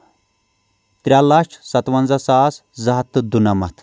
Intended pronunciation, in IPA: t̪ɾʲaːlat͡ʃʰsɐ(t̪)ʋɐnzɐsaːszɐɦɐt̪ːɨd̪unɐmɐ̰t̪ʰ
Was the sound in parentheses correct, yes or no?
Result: yes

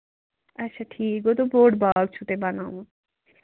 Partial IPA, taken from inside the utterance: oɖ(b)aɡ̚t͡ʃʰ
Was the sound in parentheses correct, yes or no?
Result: yes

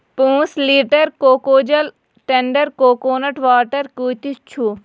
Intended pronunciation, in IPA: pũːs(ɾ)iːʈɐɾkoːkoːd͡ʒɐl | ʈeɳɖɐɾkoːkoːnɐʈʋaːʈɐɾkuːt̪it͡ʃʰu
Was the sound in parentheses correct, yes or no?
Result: no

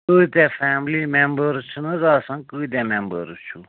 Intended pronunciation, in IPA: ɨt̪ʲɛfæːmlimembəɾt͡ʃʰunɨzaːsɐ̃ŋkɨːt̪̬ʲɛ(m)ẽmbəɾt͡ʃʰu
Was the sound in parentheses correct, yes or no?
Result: yes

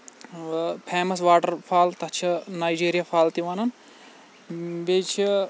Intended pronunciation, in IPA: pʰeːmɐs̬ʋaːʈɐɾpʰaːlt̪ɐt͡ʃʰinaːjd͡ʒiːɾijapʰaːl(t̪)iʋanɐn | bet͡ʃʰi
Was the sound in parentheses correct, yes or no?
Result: yes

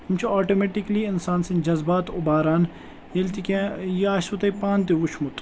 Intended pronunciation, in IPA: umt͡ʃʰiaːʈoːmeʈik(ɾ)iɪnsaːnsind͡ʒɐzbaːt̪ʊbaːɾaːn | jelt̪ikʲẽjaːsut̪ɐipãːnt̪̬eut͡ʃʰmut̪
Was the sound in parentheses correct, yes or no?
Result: no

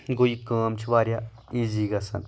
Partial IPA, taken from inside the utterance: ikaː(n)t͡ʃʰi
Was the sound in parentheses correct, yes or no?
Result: no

